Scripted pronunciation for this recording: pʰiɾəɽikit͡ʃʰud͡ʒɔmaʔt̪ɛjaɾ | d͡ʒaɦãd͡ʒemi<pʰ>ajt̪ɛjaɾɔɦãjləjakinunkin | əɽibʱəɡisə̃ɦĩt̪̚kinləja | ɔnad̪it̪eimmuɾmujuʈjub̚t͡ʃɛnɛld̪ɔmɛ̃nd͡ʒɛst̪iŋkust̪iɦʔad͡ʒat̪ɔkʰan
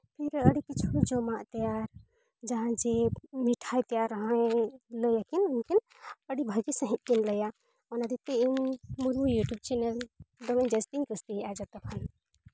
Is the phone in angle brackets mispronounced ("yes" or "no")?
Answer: yes